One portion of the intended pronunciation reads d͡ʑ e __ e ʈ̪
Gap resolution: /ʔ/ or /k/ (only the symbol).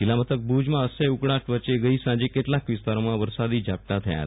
k